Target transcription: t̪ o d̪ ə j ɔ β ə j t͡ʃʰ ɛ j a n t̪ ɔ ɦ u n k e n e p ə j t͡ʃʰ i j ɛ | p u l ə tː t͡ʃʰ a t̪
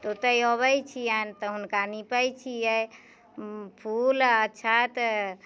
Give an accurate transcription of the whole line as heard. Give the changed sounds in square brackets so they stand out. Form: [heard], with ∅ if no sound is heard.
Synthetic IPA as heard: t̪ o [t̪] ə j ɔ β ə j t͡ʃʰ [i] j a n t̪ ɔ ɦ u n k [a] n [i] p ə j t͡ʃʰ i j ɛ | [pʰ] u l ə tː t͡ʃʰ a t̪